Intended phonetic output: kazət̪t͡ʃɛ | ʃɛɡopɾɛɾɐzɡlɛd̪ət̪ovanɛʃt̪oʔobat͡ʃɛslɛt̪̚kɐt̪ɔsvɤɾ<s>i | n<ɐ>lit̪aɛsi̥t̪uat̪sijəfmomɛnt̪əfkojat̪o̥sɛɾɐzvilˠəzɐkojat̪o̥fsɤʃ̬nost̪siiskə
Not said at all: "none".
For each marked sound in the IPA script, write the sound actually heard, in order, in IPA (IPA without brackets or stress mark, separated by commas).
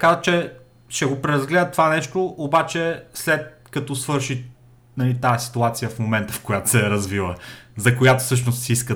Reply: ʃ, ɐ